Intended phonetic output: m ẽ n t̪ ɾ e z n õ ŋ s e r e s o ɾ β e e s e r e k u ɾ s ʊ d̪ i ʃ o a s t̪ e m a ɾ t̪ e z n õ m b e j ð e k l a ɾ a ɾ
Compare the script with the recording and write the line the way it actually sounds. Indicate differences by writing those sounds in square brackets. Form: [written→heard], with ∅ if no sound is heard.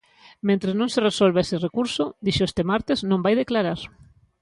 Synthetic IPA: m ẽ n t̪ ɾ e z n õ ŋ s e r e s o [ɾ→l] β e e s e r e k u ɾ s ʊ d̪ i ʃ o [a→e] s t̪ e m a ɾ t̪ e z n õ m b [e→a] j ð e k l a ɾ a ɾ